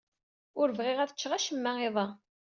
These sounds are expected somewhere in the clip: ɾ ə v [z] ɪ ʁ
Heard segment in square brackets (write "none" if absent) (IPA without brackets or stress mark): ʁ